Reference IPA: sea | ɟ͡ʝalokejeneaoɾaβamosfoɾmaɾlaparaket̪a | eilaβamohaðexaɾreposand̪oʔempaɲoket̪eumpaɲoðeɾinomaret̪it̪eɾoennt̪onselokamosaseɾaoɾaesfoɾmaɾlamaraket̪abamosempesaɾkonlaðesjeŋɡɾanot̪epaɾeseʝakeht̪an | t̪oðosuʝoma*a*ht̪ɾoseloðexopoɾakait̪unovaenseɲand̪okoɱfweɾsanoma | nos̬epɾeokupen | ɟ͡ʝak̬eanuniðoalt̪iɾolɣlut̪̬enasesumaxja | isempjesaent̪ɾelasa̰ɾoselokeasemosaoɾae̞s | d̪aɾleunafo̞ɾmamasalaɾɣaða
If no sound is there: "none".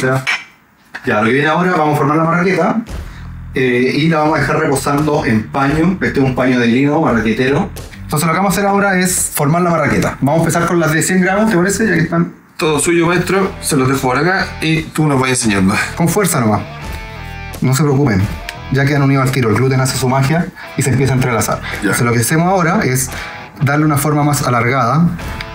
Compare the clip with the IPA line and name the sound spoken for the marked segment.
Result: e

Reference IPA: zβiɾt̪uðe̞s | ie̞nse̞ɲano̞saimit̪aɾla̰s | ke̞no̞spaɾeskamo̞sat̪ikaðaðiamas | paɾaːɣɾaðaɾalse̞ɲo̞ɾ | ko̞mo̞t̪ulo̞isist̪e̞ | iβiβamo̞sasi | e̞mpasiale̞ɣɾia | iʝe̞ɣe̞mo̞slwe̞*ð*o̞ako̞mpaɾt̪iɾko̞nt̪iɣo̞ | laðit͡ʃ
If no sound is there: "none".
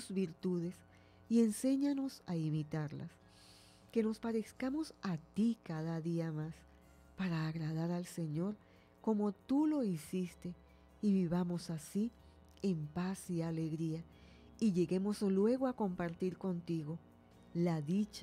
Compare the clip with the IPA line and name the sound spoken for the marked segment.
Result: ɣ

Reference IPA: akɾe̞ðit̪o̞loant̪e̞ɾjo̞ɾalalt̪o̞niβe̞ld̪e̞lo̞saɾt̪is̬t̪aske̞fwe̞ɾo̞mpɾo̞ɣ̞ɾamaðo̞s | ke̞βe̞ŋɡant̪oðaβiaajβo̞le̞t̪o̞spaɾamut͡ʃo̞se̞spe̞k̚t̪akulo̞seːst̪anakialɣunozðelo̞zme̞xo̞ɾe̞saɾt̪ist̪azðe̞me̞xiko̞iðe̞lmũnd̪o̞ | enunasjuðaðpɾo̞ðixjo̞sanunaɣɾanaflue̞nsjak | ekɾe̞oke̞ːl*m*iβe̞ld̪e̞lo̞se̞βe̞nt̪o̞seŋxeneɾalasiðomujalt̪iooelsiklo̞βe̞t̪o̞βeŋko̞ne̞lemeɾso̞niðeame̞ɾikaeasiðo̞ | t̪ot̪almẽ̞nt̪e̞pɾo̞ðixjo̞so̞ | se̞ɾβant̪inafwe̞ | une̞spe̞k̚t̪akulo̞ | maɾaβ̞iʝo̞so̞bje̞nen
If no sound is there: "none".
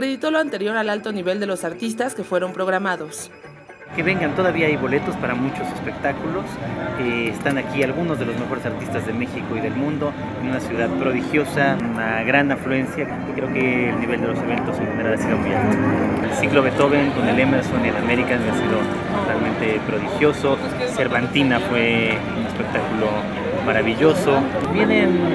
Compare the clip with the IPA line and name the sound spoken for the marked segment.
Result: n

